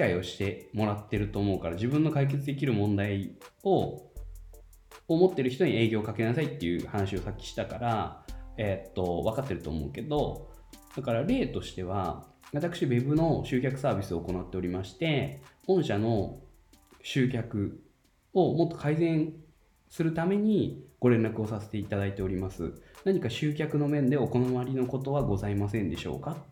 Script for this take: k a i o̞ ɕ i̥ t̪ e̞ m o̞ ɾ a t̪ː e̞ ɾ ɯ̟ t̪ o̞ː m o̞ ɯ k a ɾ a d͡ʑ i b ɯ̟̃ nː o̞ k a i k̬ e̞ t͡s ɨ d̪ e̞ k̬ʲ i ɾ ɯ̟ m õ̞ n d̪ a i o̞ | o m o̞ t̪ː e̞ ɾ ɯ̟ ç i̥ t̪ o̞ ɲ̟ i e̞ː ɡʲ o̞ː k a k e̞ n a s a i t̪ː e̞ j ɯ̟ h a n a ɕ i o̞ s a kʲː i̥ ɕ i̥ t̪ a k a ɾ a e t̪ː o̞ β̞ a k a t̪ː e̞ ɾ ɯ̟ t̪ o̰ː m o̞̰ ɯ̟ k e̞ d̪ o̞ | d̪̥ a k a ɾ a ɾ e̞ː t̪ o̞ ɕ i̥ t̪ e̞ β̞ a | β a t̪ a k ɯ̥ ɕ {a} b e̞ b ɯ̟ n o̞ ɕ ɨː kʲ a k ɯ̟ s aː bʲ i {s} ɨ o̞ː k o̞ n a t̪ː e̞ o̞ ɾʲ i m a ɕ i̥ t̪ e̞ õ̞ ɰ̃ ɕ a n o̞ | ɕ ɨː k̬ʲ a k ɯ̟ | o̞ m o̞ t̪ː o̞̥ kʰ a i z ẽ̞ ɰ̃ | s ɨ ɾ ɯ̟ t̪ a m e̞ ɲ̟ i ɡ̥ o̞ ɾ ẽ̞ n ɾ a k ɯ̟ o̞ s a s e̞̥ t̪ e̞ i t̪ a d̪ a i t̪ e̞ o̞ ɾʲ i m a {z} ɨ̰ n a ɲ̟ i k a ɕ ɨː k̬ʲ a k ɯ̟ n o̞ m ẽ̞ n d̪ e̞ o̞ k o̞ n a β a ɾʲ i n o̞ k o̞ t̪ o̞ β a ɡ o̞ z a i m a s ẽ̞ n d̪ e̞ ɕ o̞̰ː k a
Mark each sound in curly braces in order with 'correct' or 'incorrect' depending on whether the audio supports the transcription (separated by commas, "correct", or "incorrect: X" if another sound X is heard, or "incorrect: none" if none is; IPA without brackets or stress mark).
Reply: incorrect: i, correct, incorrect: s